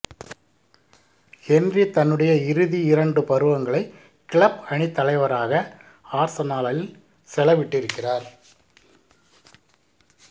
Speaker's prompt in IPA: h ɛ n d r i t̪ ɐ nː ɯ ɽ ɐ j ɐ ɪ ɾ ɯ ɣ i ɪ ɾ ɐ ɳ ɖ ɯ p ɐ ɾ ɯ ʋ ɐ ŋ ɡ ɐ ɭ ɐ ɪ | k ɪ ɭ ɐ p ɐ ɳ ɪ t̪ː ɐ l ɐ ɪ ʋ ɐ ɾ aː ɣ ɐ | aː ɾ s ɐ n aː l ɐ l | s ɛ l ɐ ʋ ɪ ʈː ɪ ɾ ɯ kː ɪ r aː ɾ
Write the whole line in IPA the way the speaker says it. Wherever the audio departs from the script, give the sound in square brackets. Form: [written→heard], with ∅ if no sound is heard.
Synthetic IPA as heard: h ɛ n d r i t̪ ɐ nː ɯ ɽ ɐ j ɐ ɪ ɾ ɯ [ɣ→ð] i ɪ ɾ ɐ ɳ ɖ ɯ p ɐ ɾ ɯ ʋ ɐ ŋ ɡ ɐ ɭ ɐ ɪ | k ɪ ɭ ɐ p ɐ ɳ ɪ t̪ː ɐ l ɐ ɪ ʋ ɐ ɾ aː ɣ ɐ | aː ɾ s ɐ n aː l ɐ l | s ɛ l ɐ ʋ ɪ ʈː ɪ ɾ ɯ kː ɪ r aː ɾ